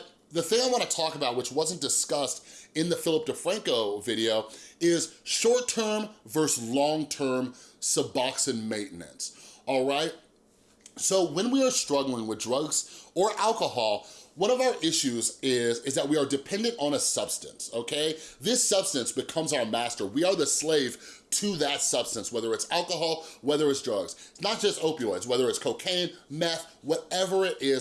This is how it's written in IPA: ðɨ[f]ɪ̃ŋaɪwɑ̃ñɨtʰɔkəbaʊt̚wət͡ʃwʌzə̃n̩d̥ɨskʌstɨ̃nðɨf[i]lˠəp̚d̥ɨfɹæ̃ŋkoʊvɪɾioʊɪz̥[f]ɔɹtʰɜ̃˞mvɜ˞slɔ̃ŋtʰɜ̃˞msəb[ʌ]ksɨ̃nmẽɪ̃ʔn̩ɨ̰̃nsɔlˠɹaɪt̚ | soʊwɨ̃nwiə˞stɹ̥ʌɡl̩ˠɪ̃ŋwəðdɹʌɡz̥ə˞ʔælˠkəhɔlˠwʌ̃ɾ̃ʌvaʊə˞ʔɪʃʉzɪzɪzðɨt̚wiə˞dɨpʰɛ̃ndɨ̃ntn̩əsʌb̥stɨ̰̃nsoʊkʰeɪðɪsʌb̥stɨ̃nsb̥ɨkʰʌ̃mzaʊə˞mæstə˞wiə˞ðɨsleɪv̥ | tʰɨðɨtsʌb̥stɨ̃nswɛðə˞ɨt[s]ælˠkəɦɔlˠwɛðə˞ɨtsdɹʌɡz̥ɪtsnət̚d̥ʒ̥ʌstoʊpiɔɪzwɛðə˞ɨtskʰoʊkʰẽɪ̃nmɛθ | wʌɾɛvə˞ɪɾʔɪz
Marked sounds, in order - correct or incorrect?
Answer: incorrect: θ, incorrect: ɪ, incorrect: ʃ, incorrect: ɑ, correct

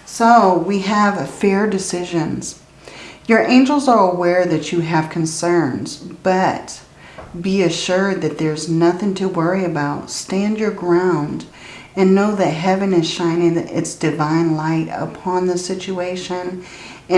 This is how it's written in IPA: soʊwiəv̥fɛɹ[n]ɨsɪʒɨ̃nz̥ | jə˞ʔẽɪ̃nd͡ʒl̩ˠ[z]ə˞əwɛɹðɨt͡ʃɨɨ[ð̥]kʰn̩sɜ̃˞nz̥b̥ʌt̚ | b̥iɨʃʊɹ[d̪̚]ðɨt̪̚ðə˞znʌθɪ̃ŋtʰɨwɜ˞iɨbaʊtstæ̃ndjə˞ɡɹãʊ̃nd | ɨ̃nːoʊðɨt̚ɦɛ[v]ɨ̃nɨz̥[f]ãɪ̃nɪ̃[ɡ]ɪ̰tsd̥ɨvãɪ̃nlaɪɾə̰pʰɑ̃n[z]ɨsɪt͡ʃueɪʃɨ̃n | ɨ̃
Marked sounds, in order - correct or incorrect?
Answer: incorrect: d, correct, incorrect: v̥, correct, correct, incorrect: ʃ, incorrect: ŋ, incorrect: ð

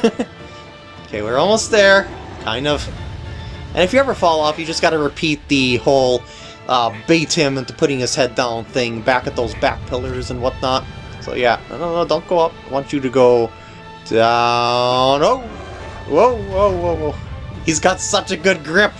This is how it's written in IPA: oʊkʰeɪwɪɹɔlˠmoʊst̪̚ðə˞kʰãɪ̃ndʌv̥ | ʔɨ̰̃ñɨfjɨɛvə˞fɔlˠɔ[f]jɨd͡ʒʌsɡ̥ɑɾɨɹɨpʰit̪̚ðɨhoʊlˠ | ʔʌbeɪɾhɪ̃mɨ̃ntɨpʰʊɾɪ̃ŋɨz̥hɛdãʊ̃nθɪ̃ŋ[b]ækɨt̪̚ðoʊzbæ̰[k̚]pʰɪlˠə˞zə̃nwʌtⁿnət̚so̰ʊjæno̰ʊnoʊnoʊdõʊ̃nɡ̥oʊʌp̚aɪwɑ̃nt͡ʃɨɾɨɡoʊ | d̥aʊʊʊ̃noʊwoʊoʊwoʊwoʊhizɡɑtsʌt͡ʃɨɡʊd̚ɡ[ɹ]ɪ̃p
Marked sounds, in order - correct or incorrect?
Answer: correct, correct, correct, correct

